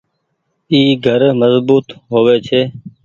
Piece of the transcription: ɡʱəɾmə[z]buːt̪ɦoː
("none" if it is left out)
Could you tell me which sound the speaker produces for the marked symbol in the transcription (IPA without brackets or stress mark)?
z